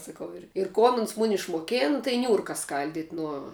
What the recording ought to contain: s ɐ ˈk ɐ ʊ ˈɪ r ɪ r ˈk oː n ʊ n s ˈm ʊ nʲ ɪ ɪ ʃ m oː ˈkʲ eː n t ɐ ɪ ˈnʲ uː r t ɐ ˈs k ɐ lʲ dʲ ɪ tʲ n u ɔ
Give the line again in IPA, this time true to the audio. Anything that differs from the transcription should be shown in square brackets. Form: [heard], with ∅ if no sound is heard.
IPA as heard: s ɐ ˈk ɐ ʊ ˈɪ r ɪ r ˈk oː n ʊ n s ˈm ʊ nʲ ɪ ɪ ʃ m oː ˈkʲ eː n t ɐ ɪ ˈnʲ uː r [k] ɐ ˈs k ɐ lʲ dʲ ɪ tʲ n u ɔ